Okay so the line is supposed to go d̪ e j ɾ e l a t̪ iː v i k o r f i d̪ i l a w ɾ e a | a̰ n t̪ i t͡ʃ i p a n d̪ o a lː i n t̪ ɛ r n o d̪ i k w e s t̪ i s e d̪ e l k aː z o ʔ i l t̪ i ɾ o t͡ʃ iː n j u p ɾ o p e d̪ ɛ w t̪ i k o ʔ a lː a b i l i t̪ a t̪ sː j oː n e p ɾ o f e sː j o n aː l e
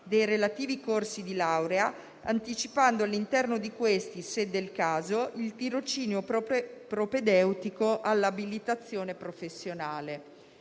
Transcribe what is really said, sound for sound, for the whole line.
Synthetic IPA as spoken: d̪ e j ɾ e l a t̪ iː v i k o r s i d̪ i l a w ɾ e a | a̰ n t̪ i t͡ʃ i p a n d̪ o a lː i n t̪ ɛ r n o d̪ i k w e s t̪ i s e d̪ e l k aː z o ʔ i l t̪ i ɾ o t͡ʃ iː n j o p ɾ o p e d̪ ɛ w t̪ i k o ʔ a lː a b i l i t̪ a t̪ sː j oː n e p ɾ o f e sː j o n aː l e